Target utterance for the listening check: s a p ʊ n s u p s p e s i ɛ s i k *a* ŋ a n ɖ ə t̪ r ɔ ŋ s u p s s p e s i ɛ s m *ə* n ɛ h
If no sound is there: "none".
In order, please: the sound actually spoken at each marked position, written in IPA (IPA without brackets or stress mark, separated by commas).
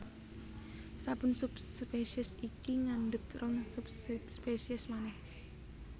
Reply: i, a